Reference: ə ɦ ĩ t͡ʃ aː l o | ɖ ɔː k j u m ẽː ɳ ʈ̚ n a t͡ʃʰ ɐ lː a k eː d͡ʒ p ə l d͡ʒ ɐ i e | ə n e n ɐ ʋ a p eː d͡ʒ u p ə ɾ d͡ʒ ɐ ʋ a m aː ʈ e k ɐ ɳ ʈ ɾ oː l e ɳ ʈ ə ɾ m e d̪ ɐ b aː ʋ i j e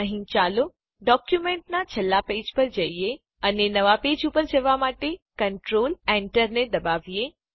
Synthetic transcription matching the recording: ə ɦ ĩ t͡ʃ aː l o | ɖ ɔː k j u m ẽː ɳ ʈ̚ n a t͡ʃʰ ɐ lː a p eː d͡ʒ p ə ɾ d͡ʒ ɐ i e | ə n e n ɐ ʋ a p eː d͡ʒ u p ə ɾ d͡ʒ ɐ ʋ a m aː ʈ e k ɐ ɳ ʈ ɾ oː l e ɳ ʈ ə ɾ n e d̪ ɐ b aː ʋ i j e